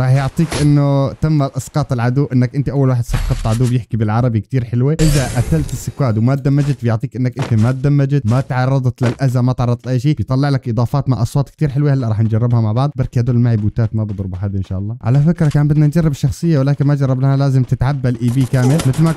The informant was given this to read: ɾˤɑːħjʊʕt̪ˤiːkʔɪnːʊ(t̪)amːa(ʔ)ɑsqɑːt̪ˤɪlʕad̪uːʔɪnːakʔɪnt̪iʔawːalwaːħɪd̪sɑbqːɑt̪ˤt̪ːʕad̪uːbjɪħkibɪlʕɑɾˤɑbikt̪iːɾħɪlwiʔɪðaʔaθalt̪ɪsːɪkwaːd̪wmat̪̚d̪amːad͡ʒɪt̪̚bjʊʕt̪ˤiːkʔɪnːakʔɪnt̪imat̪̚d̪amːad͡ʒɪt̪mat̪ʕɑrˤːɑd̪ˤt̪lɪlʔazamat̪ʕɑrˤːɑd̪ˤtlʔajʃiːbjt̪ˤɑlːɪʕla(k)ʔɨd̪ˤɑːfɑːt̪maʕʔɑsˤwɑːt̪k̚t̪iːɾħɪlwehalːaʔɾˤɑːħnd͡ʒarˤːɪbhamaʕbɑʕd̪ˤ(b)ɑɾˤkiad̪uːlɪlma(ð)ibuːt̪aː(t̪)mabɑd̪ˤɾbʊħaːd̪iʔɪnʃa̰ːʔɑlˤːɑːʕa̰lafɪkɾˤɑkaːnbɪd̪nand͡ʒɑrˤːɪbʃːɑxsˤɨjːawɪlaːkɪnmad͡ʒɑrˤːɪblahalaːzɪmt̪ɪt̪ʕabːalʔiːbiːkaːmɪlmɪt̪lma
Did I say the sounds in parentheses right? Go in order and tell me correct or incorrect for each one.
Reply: correct, correct, correct, correct, incorrect, correct

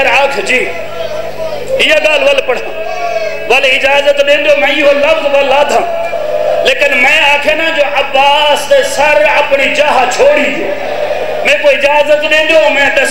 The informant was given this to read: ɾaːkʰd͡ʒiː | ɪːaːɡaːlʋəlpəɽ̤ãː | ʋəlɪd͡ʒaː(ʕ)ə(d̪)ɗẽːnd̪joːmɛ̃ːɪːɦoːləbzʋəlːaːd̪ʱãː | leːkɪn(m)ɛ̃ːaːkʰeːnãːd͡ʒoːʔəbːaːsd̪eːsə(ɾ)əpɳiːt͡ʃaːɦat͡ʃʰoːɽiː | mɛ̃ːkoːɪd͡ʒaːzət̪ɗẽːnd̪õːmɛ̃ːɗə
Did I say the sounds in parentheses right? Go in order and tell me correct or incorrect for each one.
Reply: incorrect, incorrect, correct, correct

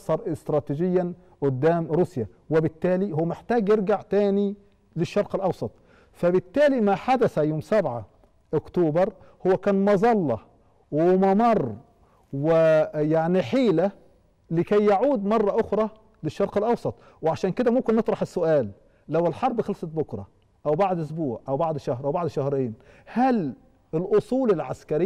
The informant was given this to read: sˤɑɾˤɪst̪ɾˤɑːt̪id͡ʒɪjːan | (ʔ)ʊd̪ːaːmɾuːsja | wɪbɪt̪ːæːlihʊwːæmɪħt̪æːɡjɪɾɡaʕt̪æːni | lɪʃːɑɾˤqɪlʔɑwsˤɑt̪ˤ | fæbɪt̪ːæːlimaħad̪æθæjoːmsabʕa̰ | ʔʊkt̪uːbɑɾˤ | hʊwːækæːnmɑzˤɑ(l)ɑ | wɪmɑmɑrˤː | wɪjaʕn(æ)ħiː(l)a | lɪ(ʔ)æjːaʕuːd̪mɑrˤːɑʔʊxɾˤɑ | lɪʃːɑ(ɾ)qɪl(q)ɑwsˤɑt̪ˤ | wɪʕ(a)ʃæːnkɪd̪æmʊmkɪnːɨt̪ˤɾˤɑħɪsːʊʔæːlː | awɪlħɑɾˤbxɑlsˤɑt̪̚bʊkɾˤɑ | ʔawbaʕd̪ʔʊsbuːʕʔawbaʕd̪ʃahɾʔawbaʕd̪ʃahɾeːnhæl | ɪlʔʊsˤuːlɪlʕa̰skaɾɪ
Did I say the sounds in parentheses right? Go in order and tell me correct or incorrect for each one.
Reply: correct, incorrect, incorrect, correct, incorrect, correct, incorrect, correct

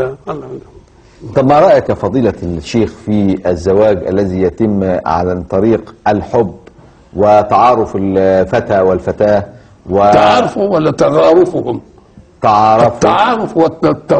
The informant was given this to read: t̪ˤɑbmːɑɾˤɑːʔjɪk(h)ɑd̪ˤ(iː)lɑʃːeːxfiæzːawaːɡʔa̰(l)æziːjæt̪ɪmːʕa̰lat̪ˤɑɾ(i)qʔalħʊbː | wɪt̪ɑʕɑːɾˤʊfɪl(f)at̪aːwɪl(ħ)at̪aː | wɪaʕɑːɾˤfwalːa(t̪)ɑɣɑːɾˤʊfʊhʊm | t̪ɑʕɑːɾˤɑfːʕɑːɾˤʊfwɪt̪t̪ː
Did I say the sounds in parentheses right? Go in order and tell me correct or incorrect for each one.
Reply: incorrect, correct, incorrect, incorrect, correct, incorrect, correct

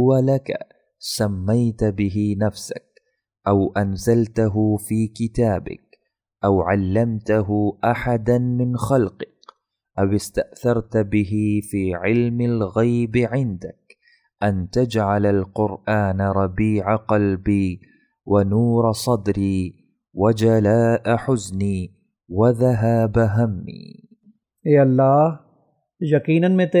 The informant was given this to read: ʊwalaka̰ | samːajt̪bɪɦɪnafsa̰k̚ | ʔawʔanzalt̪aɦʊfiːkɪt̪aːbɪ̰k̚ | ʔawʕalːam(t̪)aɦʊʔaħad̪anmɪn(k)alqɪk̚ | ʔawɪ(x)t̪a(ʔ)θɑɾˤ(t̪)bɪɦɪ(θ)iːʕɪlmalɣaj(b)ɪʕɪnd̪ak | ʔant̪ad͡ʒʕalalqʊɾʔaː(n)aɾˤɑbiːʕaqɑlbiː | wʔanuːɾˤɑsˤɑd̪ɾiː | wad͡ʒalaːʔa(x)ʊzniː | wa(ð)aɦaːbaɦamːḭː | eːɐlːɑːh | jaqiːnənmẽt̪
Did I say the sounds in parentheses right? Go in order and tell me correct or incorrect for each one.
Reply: correct, incorrect, incorrect, correct, correct, incorrect, correct, correct, incorrect, correct

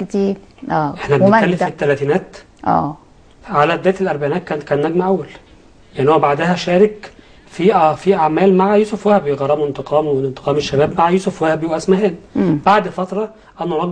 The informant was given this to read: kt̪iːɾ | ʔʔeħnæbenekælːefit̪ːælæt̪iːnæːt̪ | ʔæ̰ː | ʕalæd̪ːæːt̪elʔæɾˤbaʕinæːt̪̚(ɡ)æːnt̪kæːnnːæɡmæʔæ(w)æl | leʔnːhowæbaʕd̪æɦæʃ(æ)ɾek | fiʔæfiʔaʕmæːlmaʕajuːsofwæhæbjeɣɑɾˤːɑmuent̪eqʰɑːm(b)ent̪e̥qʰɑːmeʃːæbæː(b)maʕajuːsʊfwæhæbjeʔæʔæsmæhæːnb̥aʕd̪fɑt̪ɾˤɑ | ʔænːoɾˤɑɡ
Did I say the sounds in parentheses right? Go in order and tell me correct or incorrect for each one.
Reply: incorrect, incorrect, incorrect, incorrect, correct

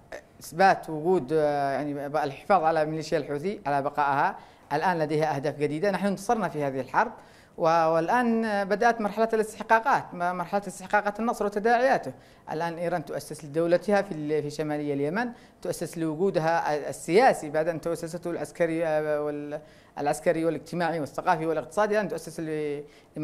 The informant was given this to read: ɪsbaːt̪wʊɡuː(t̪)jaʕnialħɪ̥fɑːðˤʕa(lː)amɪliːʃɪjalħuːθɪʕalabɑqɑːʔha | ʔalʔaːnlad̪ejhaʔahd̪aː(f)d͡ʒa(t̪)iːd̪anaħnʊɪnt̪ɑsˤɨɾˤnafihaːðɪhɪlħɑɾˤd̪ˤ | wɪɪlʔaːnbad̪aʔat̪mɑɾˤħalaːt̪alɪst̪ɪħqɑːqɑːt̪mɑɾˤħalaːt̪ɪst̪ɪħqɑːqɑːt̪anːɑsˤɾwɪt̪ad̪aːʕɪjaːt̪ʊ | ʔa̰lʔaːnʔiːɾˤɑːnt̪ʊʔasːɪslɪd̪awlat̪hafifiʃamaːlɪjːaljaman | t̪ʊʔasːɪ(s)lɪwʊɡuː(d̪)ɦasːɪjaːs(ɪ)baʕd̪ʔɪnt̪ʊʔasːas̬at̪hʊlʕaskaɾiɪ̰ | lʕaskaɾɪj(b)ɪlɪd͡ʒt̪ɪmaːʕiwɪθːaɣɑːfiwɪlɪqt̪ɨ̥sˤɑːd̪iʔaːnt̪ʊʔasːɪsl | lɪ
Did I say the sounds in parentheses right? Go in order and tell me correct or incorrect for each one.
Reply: incorrect, incorrect, correct, incorrect, correct, correct, incorrect, incorrect

